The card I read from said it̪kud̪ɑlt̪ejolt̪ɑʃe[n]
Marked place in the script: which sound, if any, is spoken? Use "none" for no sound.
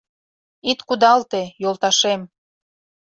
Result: m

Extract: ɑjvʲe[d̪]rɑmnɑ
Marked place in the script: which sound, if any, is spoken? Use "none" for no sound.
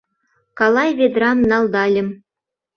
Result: d̪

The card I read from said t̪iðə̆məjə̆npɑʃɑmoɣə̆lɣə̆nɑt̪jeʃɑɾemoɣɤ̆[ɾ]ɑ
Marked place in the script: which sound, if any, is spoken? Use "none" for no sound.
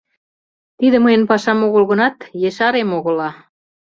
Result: l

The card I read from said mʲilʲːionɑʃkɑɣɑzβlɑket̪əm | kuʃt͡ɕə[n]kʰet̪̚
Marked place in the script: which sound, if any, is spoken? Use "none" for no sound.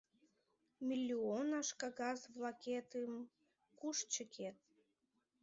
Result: none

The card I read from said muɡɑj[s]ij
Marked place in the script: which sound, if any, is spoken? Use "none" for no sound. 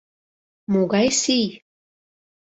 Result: s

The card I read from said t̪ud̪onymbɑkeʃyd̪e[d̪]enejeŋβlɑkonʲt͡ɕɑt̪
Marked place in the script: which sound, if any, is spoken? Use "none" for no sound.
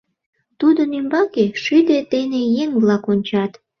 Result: t̪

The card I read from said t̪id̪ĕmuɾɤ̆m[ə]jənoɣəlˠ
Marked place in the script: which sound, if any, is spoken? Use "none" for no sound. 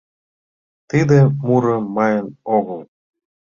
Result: ɑ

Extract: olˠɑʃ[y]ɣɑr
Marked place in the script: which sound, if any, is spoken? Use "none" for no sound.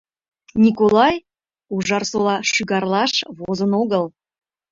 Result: y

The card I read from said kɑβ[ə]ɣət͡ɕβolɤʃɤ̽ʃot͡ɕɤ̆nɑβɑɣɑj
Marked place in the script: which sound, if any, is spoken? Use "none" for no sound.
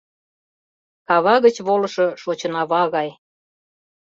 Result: ɑ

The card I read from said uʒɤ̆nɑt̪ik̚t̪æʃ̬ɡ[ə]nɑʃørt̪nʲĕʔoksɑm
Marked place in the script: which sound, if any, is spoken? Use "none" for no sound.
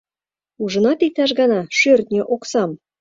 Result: ɑ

